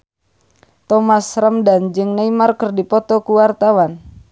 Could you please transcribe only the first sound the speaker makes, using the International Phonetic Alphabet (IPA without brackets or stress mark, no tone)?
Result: t̪